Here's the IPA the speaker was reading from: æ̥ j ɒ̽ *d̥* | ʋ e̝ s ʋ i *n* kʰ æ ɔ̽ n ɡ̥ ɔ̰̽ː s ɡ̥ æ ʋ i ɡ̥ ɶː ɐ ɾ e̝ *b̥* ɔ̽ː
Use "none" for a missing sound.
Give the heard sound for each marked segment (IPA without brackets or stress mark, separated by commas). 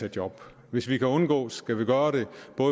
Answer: b̥, none, b̥